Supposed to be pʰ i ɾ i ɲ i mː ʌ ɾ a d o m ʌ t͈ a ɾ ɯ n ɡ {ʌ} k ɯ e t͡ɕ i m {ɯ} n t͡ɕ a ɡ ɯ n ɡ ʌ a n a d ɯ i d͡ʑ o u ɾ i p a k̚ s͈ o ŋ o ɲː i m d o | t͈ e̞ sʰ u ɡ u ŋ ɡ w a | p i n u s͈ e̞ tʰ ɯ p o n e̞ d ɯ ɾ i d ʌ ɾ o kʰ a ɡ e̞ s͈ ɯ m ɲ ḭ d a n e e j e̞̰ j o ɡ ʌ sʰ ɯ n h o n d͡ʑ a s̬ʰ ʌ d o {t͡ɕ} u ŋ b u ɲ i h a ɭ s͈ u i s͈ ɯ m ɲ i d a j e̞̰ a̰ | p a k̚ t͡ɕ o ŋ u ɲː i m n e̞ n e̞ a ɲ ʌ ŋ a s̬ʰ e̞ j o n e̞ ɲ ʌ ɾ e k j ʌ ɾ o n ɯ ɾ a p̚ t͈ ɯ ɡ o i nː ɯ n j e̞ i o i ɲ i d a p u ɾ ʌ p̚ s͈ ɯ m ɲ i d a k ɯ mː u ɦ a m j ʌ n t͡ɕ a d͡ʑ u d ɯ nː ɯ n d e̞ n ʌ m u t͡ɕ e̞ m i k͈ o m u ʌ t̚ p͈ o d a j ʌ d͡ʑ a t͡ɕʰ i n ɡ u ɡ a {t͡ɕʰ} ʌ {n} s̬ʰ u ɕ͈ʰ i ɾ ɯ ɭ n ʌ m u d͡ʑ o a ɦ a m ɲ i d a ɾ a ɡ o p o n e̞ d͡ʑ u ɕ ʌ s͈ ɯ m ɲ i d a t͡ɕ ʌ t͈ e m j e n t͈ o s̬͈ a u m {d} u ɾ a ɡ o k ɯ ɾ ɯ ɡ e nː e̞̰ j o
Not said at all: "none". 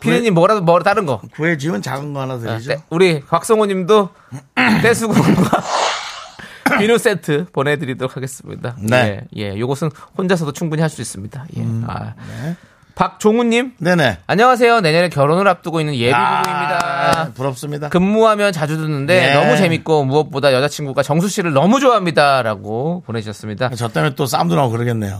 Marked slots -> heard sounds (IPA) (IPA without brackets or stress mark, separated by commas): ʌ, ɯ, t͡ɕʰ, t͡ɕ, ŋ, d